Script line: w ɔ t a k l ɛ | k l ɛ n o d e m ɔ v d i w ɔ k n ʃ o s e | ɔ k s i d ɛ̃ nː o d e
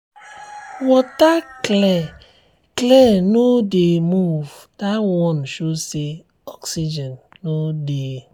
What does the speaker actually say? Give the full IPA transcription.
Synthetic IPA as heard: w ɔ t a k l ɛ | k l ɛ n o d e m u v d a w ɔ n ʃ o s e | ɔ k s i d͡ʒ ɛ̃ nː o d e